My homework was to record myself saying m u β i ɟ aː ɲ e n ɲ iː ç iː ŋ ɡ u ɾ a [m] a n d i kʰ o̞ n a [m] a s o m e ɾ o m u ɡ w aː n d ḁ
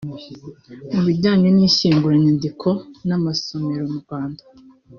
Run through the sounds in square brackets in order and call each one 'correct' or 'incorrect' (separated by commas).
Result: incorrect, correct